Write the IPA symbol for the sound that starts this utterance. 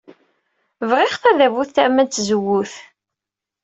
v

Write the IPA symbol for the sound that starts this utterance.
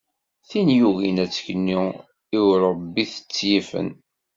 θ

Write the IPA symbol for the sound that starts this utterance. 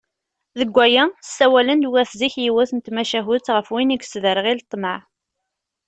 ð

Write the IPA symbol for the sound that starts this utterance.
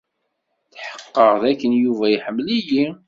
θ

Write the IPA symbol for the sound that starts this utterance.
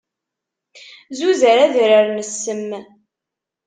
z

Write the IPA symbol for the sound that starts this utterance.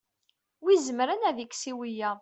w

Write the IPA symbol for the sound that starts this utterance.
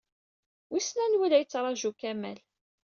w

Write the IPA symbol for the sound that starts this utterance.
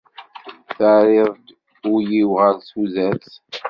θ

